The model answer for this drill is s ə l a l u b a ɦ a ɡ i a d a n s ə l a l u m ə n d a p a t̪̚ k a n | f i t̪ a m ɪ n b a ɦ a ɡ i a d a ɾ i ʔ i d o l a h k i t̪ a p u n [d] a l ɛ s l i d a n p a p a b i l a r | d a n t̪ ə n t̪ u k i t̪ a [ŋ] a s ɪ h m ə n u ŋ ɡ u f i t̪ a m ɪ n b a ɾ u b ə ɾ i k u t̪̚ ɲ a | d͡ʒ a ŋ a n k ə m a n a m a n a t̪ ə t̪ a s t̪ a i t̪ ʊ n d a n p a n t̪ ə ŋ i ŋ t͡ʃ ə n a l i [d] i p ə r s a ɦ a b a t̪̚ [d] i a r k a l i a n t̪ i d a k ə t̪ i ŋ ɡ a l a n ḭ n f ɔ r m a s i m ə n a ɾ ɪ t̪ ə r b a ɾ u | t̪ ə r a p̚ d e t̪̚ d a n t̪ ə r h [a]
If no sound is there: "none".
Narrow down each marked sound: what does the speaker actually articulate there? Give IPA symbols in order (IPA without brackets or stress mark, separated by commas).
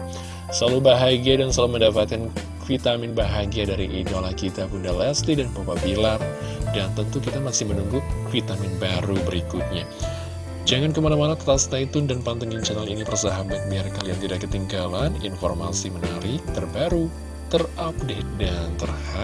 d, m, n, b, a